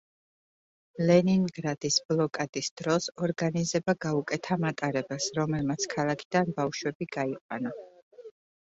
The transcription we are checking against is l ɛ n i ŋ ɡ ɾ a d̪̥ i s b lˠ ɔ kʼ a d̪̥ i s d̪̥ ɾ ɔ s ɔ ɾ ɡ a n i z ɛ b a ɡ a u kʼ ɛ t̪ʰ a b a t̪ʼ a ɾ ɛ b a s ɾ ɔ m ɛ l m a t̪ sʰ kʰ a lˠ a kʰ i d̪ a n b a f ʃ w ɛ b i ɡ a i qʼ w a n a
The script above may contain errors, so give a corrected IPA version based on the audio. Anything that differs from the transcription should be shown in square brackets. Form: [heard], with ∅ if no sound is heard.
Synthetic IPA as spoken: l ɛ n i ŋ ɡ ɾ a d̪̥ i s b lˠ ɔ kʼ a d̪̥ i s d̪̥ ɾ ɔ s ɔ ɾ ɡ a n i z ɛ b a ɡ a u kʼ ɛ t̪ʰ a [m] a t̪ʼ a ɾ ɛ b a s ɾ ɔ m ɛ l m a t̪ sʰ kʰ a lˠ a kʰ i d̪ a n b a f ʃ w ɛ b i ɡ a i qʼ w a n a